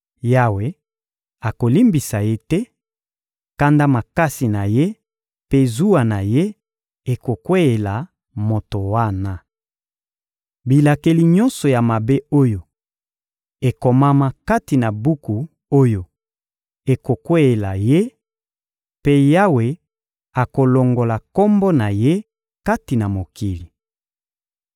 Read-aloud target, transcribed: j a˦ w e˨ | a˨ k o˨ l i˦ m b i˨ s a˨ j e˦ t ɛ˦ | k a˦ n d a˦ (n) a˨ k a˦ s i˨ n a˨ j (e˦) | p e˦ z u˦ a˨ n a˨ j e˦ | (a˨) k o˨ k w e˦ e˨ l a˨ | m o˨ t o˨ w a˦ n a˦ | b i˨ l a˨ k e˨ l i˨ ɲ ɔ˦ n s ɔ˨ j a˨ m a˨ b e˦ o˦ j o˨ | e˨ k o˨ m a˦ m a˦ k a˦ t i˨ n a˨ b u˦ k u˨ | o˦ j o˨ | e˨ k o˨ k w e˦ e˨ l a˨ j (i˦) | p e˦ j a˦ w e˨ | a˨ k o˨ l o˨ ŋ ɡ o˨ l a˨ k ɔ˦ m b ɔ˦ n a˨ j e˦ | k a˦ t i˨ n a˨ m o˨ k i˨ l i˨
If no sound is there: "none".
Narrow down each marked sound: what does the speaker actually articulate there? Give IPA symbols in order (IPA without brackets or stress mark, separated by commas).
m, e˦, e˨, e˦